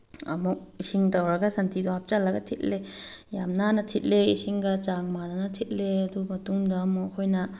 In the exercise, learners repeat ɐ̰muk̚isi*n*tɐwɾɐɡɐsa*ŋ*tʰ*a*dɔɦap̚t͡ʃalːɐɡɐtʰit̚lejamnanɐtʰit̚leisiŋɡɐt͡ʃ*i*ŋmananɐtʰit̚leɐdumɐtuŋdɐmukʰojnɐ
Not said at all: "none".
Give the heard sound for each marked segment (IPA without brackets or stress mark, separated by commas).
ŋ, n, i, a